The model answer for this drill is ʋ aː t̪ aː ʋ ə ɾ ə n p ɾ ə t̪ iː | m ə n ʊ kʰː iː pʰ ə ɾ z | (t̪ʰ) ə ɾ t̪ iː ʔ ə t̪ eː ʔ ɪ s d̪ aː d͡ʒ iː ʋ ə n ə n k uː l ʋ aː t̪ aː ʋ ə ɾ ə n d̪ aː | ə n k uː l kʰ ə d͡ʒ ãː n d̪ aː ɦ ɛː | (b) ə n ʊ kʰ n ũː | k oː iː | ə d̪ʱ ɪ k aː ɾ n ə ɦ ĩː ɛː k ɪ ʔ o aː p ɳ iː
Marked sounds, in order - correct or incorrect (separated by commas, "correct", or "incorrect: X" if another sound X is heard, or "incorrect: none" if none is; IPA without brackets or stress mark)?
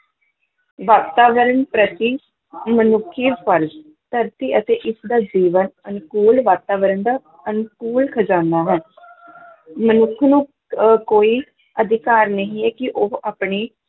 incorrect: t̪, incorrect: m